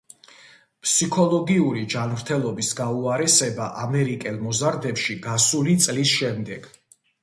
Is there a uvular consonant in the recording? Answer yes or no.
no